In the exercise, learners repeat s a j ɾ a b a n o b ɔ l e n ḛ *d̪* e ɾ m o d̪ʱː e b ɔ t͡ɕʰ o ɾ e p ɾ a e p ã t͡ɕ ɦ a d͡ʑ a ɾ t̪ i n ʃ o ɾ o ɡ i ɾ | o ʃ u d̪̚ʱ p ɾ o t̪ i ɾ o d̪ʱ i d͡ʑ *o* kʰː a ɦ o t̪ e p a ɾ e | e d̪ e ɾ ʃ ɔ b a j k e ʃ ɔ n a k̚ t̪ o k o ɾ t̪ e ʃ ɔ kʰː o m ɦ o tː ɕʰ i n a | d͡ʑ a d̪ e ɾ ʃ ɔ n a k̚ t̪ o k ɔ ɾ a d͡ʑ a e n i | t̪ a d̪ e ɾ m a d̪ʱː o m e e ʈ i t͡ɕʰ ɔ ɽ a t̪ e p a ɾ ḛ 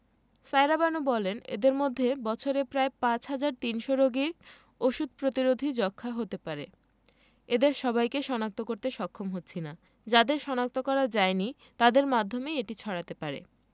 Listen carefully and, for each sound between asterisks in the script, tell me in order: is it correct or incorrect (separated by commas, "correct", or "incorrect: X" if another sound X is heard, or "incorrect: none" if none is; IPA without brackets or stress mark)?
correct, incorrect: ɔ